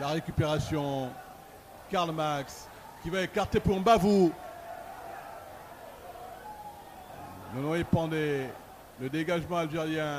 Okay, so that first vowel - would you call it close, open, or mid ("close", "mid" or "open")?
open